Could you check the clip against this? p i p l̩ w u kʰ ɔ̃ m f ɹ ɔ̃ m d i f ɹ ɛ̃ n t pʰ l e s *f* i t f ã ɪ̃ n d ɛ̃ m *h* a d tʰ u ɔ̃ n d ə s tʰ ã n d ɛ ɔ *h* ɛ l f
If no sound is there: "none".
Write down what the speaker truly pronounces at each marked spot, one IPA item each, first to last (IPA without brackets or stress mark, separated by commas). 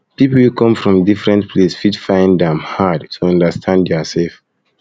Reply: f, h, s